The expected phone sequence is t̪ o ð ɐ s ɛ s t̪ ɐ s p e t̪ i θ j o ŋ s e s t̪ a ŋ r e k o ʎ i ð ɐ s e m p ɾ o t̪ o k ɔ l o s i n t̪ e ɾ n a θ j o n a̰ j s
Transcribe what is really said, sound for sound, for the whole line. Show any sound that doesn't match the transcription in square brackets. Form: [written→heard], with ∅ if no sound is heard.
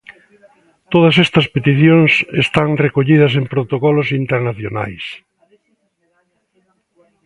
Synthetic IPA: t̪ o ð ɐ s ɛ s t̪ ɐ s p e t̪ i θ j o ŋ s e s t̪ a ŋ r e k o ʎ i ð ɐ s e m p ɾ o t̪ o k ɔ l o s i n t̪ e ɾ n a θ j o n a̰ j s